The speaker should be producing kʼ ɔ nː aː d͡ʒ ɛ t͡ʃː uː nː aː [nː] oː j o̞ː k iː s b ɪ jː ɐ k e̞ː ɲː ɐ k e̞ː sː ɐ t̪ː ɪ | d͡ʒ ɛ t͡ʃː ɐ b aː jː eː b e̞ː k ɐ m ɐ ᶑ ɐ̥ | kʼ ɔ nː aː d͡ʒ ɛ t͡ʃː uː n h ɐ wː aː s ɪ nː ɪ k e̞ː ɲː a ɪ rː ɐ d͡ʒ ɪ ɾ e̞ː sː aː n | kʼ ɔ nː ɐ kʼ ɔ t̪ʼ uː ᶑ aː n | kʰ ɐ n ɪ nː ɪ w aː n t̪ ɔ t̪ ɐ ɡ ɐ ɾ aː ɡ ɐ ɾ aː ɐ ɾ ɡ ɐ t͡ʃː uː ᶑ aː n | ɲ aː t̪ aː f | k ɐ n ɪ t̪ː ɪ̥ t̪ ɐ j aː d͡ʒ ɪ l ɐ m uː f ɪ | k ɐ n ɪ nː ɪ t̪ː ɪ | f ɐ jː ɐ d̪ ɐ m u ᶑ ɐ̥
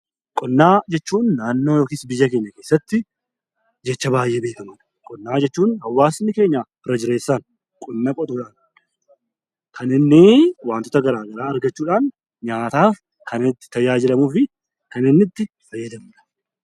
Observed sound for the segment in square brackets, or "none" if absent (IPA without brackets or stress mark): nː